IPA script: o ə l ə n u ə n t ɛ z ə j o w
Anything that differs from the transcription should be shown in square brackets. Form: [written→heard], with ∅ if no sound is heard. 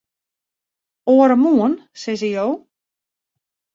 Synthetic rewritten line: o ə [l→ɾ] ə [n→m] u ə n [t→s] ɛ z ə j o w